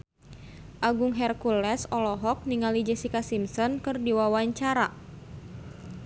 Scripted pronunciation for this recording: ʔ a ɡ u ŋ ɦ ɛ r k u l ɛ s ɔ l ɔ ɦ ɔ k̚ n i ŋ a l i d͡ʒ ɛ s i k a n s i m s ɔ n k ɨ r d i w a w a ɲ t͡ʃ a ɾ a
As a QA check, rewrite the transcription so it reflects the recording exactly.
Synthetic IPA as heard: ʔ a ɡ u ŋ ɦ ɛ r k u l ɛ s ɔ l ɔ ɦ ɔ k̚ n i ŋ a l i d͡ʒ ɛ s i k a s i m s ɔ n k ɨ r d i w a w a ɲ t͡ʃ a ɾ a